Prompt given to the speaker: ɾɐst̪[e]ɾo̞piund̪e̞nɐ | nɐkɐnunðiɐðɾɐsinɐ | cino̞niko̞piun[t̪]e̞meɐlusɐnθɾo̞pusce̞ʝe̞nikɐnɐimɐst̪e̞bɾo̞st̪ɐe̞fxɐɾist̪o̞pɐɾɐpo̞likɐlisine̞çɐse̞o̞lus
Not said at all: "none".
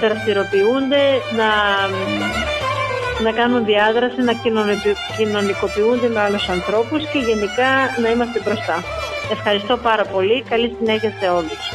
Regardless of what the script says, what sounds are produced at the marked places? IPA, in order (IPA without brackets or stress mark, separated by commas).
i, d̪